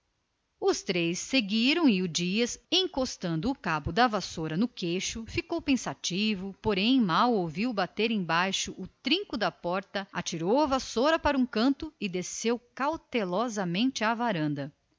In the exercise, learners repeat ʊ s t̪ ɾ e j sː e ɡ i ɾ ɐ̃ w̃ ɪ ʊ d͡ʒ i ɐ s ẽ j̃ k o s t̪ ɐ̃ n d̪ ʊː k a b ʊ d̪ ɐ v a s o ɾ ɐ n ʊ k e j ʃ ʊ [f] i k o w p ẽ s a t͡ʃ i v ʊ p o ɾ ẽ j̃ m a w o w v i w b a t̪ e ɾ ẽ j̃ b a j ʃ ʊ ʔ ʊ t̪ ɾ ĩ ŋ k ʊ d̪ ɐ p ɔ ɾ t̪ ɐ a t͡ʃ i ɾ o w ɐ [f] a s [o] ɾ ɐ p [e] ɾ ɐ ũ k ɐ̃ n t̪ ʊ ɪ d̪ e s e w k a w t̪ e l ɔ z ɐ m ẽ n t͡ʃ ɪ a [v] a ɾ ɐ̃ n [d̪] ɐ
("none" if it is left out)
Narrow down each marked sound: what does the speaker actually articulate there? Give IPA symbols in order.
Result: f, v, o, a, v, d̪

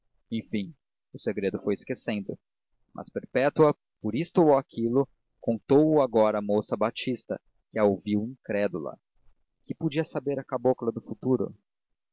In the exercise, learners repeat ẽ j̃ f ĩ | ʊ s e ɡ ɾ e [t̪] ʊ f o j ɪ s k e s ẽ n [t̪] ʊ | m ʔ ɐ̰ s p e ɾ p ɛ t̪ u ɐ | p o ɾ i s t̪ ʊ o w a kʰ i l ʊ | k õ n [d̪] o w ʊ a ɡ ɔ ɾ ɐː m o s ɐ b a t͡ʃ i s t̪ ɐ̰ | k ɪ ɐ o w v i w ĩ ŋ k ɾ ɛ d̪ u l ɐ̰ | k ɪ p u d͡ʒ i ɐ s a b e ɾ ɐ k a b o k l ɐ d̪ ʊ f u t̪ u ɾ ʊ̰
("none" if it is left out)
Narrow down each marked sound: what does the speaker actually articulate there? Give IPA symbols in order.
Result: d̪, d̪, t̪

